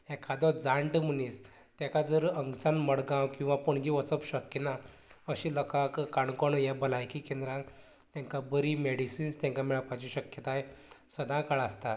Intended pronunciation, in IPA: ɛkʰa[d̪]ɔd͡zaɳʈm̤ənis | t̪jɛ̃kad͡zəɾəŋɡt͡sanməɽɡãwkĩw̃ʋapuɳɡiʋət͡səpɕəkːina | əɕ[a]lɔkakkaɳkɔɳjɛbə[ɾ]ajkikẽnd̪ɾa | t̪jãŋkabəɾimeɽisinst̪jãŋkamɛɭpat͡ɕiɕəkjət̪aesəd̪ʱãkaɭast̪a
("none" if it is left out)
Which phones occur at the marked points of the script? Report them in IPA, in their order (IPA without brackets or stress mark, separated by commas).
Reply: d̪, i, l